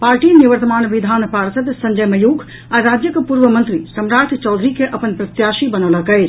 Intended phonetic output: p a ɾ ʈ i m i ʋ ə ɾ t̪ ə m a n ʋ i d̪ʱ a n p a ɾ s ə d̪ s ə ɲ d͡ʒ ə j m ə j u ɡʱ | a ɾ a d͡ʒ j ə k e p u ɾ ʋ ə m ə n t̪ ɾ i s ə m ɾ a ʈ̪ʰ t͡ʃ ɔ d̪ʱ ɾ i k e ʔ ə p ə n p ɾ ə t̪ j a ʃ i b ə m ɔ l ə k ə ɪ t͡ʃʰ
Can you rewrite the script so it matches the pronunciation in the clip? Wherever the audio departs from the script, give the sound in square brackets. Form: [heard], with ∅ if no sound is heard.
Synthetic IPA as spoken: p a ɾ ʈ i [n] i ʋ ə ɾ t̪ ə m a n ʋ i d̪ʱ a n p a ɾ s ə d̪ s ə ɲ d͡ʒ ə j m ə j u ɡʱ | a ɾ a d͡ʒ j ə k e p u ɾ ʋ ə m ə n t̪ ɾ i s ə m ɾ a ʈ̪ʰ t͡ʃ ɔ d̪ʱ ɾ i k e ʔ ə p ə n p ɾ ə t̪ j a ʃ i b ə [n] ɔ l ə k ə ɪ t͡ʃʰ